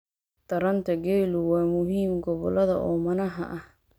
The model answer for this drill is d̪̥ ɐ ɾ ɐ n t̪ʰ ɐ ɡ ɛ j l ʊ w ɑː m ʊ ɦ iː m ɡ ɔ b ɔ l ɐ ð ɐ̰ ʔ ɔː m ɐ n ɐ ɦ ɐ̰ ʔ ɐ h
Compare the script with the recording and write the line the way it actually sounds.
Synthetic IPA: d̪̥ ɐ ɾ ɐ n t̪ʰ ɐ ɡ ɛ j l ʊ w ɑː m ʊ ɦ iː m ɡ ɔ β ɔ l ɐ ð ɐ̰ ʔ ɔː m ɐ n ɐ ɦ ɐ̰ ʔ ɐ h